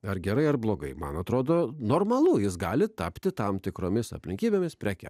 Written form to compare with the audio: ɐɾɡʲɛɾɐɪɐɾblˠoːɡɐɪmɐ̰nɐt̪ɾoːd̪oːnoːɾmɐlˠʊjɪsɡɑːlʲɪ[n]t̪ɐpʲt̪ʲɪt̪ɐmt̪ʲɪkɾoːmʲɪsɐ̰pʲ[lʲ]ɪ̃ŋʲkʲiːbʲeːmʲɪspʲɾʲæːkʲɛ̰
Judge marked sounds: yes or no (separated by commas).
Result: no, yes